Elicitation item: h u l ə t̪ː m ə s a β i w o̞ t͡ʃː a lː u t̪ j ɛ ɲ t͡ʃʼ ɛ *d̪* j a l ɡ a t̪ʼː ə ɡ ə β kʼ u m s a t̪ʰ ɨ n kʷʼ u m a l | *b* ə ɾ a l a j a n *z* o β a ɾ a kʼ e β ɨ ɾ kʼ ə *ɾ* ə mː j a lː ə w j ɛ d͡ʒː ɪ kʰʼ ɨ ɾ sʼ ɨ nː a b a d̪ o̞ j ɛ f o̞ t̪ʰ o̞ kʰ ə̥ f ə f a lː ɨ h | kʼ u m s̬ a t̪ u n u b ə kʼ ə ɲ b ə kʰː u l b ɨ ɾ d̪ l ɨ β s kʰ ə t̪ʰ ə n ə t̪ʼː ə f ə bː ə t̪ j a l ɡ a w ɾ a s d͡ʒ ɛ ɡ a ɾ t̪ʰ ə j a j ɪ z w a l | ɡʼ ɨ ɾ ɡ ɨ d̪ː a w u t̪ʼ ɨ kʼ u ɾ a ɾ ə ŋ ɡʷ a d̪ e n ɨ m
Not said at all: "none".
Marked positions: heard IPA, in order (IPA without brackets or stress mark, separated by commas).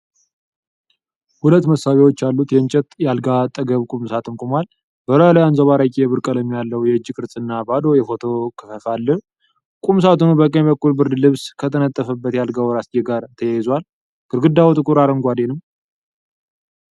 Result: t̪, b, z, l